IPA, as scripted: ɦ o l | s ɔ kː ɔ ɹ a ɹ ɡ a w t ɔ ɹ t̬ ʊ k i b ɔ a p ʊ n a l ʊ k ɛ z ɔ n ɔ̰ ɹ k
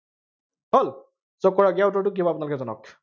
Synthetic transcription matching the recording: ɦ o l | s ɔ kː ɔ ɹ a ɡ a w t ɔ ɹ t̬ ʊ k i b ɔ a p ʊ n a l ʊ k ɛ z ɔ n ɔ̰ k